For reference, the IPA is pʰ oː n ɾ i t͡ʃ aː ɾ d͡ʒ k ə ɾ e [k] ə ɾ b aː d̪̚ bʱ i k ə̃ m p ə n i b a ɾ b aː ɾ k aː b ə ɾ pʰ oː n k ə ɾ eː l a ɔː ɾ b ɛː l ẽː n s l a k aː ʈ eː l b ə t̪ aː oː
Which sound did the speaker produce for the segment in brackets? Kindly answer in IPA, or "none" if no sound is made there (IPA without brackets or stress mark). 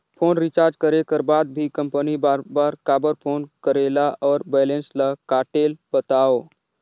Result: k